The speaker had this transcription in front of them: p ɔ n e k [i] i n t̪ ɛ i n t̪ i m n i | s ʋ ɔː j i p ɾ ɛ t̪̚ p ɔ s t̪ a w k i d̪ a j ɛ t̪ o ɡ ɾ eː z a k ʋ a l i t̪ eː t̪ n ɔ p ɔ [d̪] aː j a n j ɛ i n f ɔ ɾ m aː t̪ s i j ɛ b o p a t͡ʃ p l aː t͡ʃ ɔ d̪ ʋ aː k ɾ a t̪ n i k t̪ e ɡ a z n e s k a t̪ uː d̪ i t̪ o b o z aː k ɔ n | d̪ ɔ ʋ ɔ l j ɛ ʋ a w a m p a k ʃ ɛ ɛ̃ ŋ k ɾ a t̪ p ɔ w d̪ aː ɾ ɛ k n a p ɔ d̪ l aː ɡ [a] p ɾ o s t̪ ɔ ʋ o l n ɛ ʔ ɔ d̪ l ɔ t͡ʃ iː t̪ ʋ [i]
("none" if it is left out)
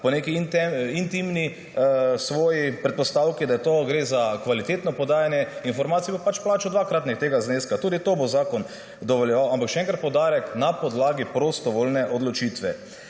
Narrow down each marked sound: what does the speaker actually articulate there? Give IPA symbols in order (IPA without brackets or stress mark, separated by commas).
i, d̪, i, ɛ